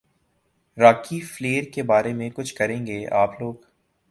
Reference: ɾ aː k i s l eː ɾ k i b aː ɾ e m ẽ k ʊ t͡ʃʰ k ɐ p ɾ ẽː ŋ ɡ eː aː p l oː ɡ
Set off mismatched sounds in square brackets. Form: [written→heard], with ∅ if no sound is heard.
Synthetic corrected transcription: ɾ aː k i [s→f] l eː ɾ k [i→e] b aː ɾ e m ẽ k ʊ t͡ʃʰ k ɐ [p→∅] ɾ ẽː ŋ ɡ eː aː p l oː ɡ